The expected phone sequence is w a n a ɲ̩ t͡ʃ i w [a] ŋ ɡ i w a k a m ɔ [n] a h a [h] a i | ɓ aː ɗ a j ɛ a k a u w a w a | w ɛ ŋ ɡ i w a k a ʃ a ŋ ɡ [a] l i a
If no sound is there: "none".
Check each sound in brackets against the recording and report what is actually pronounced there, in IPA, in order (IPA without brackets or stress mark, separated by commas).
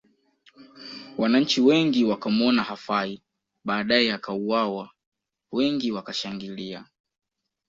ɛ, n, f, i